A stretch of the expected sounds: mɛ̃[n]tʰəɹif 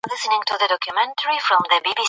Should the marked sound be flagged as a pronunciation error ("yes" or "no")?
no